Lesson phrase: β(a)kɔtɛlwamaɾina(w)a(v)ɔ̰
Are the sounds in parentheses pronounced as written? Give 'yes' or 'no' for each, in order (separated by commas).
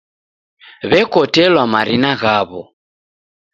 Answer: no, no, no